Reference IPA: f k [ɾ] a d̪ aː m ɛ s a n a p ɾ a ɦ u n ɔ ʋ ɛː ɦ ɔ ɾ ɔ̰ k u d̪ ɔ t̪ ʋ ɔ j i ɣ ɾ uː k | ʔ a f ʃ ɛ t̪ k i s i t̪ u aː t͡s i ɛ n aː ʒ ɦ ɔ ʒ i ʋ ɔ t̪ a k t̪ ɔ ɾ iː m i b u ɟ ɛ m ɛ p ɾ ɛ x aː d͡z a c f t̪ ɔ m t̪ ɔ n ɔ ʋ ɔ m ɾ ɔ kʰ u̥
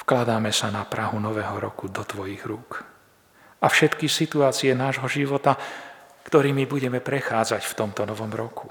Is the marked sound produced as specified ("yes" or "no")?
no